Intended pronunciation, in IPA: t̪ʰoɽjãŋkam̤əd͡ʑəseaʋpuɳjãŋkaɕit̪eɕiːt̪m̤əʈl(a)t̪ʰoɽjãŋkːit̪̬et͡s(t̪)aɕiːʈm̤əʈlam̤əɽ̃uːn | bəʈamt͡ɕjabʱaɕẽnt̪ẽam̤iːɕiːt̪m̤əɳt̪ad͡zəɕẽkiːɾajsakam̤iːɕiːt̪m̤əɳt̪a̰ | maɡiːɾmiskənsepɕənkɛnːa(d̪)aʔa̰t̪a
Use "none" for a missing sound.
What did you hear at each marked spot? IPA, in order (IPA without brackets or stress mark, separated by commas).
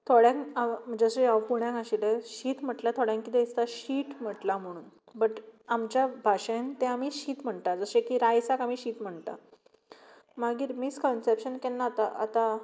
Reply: a, t̪, t̪